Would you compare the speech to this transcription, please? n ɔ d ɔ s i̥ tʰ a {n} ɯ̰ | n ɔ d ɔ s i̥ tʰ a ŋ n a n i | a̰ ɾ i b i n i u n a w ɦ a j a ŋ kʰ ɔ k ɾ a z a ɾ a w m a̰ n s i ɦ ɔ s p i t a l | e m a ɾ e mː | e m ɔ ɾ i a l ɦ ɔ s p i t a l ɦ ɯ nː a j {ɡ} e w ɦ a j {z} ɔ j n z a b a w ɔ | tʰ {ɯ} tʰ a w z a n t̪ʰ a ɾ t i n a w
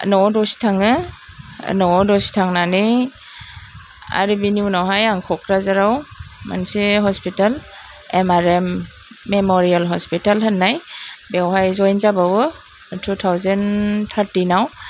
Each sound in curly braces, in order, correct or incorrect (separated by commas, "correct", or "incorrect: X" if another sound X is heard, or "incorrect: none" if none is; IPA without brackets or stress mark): incorrect: ŋ, incorrect: b, correct, incorrect: u